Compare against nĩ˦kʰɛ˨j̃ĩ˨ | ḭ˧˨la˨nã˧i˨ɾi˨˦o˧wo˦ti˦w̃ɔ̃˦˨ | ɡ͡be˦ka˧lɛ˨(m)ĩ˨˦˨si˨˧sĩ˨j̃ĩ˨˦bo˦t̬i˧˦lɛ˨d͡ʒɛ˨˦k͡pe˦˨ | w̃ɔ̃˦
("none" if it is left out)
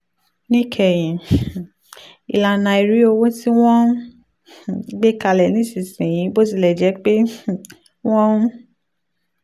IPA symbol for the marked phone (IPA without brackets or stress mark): n